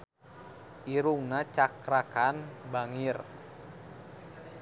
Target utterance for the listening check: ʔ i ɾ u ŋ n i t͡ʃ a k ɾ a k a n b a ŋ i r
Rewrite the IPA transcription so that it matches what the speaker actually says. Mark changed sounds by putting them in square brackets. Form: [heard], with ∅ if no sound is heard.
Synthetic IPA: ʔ i ɾ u ŋ n [a] t͡ʃ a k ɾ a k a n b a ŋ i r

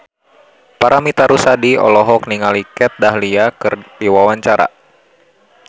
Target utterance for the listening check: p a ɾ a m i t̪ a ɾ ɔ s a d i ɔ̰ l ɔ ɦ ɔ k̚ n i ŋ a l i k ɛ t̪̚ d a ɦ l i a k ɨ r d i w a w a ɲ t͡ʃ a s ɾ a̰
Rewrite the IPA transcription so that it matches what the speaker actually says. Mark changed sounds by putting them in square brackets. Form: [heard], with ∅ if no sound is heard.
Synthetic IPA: p a ɾ a m i t̪ a ɾ [u] s a d i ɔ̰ l ɔ ɦ ɔ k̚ n i ŋ a l i k ɛ t̪̚ d a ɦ l i a k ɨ r d i w a w a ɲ t͡ʃ a [∅] ɾ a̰

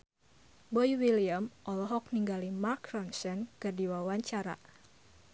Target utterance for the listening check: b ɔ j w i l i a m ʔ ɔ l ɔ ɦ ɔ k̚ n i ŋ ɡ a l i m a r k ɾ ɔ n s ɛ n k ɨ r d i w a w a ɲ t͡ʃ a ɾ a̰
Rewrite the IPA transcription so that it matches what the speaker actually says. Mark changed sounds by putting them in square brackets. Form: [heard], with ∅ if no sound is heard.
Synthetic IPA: b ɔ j w i l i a m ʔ ɔ l ɔ ɦ ɔ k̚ n i ŋ ɡ a l i m a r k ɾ ɔ n s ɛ n k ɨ r d i w a w a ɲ t͡ʃ a ɾ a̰

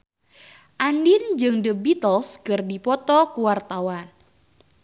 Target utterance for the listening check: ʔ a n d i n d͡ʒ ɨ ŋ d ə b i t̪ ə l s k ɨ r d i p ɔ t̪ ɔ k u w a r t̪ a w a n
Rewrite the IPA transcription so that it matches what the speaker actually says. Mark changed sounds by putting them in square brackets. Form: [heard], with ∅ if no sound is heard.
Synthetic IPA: ʔ a n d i n d͡ʒ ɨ ŋ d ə b i t̪ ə l s k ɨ r d i p ɔ t̪ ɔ k u w a r t̪ a w a n

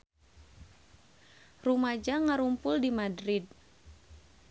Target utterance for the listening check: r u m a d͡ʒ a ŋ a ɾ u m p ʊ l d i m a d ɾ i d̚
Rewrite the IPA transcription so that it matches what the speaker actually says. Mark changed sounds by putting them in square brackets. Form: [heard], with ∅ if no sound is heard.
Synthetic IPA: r u m a d͡ʒ a ŋ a ɾ u m p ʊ l d i m a d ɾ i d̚

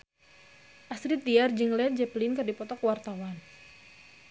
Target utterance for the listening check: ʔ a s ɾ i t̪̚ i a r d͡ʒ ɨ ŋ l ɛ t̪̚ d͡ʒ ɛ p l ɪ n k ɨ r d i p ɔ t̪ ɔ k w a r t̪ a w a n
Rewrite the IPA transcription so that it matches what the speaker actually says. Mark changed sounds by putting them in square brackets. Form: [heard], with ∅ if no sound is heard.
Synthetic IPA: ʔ a s ɾ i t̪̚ i a r d͡ʒ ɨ ŋ l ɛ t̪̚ d͡ʒ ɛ p l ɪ n k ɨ r d i p ɔ t̪ ɔ k w a r t̪ a w a n

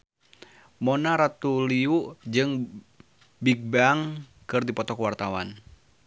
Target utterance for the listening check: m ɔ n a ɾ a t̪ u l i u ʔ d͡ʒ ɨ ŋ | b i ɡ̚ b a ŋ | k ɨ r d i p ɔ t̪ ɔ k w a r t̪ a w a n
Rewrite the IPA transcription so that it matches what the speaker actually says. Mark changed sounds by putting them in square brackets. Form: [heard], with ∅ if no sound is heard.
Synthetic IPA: m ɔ n a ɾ a t̪ u l i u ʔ d͡ʒ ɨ ŋ | b i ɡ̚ b a ŋ | k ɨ r d i p ɔ t̪ ɔ k w a r t̪ a w a n

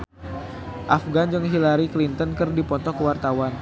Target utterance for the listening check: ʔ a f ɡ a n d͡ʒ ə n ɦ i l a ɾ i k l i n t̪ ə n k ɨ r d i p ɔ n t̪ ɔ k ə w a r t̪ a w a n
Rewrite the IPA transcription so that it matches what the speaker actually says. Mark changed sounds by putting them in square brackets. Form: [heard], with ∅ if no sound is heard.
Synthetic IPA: ʔ a f ɡ a n d͡ʒ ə [ŋ] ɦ i l a ɾ i k l i n t̪ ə n k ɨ r d i p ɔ n t̪ ɔ k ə w a r t̪ a w a n

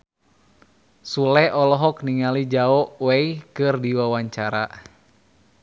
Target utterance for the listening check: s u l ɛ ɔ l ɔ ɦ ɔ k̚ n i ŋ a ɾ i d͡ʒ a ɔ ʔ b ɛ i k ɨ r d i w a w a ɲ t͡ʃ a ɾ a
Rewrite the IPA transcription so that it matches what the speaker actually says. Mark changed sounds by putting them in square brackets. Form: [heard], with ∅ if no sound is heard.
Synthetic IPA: s u l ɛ ɔ l ɔ ɦ ɔ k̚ n i ŋ a [l] i d͡ʒ a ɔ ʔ [w] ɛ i k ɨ r d i w a w a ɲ t͡ʃ a ɾ a

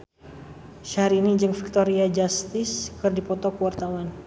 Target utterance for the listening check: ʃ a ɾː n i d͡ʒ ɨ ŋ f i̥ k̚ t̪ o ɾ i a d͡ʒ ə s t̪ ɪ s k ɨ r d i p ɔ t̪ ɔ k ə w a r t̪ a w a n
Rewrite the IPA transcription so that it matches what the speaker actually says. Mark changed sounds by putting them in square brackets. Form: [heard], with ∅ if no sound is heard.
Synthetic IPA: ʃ a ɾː n i d͡ʒ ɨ ŋ f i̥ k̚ t̪ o ɾ i a d͡ʒ [a] s t̪ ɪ s k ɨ r d i p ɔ t̪ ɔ k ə w a r t̪ a w a n

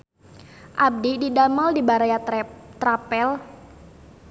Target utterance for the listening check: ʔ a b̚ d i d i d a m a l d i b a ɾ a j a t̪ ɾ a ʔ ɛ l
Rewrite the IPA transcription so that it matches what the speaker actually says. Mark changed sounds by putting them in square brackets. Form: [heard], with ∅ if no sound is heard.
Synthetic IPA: ʔ a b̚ d i d i d a m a l d i b a ɾ a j a t̪ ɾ a [p] ɛ l

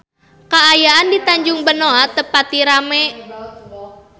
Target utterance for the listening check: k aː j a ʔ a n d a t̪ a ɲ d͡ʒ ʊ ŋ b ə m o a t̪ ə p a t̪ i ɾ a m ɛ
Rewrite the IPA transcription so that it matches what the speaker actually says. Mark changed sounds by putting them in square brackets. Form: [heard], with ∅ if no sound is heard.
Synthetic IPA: k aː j a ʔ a n d [i] t̪ a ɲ d͡ʒ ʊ ŋ b ə [n] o a t̪ ə p a t̪ i ɾ a m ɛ

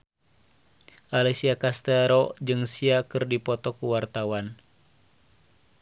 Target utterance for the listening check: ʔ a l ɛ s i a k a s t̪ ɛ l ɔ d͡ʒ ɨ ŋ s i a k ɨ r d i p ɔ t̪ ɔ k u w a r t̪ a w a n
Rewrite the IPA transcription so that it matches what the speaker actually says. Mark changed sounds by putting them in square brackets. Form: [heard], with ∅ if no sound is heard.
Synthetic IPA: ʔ a l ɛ s i a k a s t̪ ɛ [ɾ] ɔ d͡ʒ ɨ ŋ s i a k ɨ r d i p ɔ t̪ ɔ k u w a r t̪ a w a n

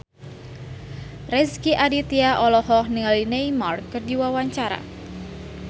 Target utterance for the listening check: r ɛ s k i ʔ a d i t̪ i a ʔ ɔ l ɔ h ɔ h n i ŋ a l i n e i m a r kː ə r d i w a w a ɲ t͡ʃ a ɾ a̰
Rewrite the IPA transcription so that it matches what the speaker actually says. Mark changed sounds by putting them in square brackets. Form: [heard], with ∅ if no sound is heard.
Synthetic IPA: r ɛ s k i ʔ a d i t̪ i a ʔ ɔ l ɔ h ɔ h n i ŋ a l i n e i m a r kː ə r d i w a w a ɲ t͡ʃ a ɾ a̰

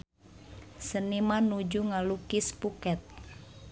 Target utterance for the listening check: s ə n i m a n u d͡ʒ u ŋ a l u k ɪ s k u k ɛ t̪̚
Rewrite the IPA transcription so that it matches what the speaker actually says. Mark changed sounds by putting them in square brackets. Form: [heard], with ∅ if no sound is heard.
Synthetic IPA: s ə n i m a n u d͡ʒ u ŋ a l u k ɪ s [p] u k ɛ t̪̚

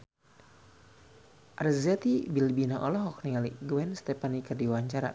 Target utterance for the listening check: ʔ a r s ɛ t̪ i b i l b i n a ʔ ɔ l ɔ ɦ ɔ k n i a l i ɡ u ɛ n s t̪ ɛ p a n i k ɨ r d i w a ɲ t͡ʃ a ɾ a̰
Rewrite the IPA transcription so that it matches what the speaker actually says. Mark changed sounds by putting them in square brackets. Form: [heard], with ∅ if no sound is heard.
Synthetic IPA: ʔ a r [z] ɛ t̪ i b i l b i n a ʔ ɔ l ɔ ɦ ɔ k n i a l i ɡ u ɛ n s t̪ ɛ p a n i k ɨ r d i w a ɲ t͡ʃ a ɾ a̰

